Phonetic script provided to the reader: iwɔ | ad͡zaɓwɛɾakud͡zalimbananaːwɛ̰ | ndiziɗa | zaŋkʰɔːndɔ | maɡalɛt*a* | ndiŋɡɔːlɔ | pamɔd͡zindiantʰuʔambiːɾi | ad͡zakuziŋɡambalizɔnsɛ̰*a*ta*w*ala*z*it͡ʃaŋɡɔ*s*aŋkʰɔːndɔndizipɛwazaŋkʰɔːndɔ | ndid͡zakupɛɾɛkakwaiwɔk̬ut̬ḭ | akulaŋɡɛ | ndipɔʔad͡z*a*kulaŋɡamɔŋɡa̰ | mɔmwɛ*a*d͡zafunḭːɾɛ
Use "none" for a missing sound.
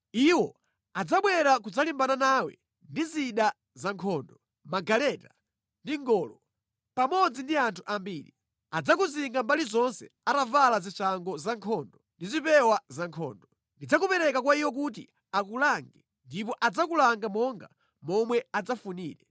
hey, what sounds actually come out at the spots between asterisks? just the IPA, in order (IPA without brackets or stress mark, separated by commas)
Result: a, a, v, z, z, a, a